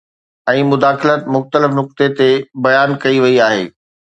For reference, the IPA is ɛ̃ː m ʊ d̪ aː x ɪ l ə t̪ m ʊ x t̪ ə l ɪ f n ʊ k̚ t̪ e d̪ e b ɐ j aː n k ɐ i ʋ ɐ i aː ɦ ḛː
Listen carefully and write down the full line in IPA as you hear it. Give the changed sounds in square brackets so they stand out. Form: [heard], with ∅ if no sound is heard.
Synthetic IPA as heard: ɛ̃ː m ʊ d̪ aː x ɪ l ə t̪ m ʊ x t̪ ə l ɪ f n ʊ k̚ t̪ e [t̪] e b ɐ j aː n k ɐ i ʋ ɐ i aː ɦ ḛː